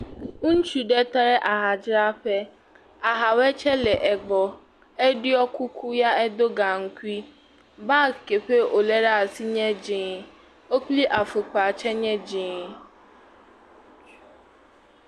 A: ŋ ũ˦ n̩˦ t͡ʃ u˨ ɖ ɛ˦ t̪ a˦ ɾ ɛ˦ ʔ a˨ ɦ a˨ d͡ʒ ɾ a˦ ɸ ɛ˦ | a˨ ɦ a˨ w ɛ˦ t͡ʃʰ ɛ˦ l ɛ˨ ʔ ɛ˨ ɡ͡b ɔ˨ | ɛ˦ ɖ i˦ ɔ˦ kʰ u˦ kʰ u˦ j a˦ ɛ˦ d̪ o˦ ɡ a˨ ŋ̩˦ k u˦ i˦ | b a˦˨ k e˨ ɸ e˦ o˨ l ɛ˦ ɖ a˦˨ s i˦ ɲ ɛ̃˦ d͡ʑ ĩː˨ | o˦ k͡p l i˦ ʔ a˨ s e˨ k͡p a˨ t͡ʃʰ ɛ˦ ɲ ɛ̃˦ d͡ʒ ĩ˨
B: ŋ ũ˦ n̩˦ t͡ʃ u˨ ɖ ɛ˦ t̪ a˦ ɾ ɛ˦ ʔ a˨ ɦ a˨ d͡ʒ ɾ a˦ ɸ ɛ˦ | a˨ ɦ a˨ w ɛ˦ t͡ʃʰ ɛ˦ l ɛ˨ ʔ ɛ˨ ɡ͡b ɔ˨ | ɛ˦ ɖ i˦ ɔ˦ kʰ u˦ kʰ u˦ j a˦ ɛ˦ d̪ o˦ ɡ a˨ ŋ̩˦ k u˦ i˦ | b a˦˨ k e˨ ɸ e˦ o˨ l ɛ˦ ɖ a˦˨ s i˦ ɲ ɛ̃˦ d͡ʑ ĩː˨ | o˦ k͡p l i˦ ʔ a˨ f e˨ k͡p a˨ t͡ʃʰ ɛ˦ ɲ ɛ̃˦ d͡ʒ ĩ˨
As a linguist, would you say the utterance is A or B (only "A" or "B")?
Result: B